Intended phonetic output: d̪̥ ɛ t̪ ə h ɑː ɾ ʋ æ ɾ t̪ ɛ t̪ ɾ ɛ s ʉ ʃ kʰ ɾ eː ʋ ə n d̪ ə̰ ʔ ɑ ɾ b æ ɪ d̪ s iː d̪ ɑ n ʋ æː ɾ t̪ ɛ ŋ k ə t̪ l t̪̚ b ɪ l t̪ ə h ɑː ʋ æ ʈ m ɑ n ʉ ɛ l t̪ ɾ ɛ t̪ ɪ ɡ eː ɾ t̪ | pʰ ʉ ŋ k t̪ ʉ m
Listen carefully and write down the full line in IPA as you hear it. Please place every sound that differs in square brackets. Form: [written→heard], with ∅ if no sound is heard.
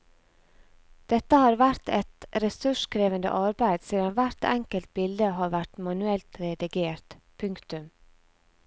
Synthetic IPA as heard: d̪̥ ɛ t̪ ə h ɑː ɾ ʋ æ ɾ t̪ ɛ t̪ ɾ ɛ s ʉ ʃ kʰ ɾ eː ʋ ə n d̪ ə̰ ʔ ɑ ɾ b æ ɪ d̪ s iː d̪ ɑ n ʋ [æː→æ] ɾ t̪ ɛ ŋ k ə [t̪→∅] l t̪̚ b ɪ l [t̪→d̪] ə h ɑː ʋ æ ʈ m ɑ n ʉ ɛ l t̪ ɾ ɛ [t̪→d̪] ɪ ɡ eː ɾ t̪ | pʰ ʉ ŋ k t̪ ʉ m

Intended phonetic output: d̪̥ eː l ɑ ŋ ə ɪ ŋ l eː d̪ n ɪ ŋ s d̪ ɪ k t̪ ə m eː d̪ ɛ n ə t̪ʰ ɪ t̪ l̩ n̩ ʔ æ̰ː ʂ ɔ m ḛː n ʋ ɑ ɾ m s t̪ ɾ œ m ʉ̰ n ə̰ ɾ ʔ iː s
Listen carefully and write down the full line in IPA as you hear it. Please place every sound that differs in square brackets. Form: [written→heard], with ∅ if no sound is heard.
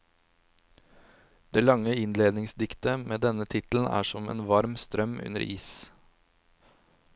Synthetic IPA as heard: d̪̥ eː l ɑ ŋ ə ɪ [ŋ→n] l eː d̪ n ɪ ŋ s d̪ ɪ k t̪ ə m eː d̪ ɛ n ə t̪ʰ ɪ t̪ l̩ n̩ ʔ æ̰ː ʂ ɔ m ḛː n ʋ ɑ ɾ m s t̪ ɾ œ m ʉ̰ n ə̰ ɾ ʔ iː s

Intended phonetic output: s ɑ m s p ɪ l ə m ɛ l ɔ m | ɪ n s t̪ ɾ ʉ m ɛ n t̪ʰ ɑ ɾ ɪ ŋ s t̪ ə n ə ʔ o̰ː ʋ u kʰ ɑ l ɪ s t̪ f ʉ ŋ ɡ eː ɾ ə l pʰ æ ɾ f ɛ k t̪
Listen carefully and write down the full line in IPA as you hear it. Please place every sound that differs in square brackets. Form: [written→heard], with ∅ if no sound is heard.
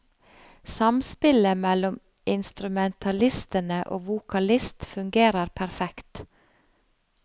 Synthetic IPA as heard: s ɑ m s p ɪ l ə m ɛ l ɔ m | ɪ n s t̪ ɾ ʉ m ɛ n t̪ʰ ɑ [ɾ→l] ɪ [ŋ→∅] s t̪ ə n ə ʔ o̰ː ʋ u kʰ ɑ l ɪ s t̪ f ʉ ŋ ɡ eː ɾ ə [l→ɾ] pʰ æ ɾ f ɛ k t̪

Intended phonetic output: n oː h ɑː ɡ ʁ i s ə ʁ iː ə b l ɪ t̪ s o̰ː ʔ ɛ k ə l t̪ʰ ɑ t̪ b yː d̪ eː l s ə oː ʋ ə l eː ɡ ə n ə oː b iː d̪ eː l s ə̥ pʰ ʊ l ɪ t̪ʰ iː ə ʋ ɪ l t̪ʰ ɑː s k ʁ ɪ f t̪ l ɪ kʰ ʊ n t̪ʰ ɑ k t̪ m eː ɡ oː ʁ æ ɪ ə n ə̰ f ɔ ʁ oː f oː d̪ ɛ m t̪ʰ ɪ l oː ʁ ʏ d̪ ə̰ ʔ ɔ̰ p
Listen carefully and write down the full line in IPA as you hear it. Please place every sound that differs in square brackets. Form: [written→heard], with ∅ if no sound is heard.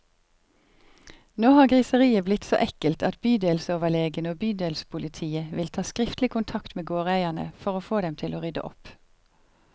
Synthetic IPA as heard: n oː h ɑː ɡ ʁ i s ə ʁ iː ə b l ɪ t̪ s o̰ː ʔ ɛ k ə l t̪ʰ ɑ t̪ b yː d̪ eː l s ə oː ʋ ə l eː ɡ ə n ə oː b [iː→yː] d̪ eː l s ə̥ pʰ ʊ l ɪ t̪ʰ iː ə ʋ ɪ l t̪ʰ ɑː s k ʁ ɪ f t̪ l ɪ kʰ ʊ n t̪ʰ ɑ k t̪ m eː ɡ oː ʁ æ ɪ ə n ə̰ f ɔ ʁ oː f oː d̪ ɛ m t̪ʰ ɪ l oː ʁ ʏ d̪ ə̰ ʔ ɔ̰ p

